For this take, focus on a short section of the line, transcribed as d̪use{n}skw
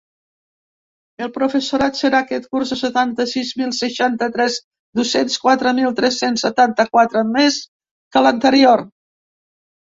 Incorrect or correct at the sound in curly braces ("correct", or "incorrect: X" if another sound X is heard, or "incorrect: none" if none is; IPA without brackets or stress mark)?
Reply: correct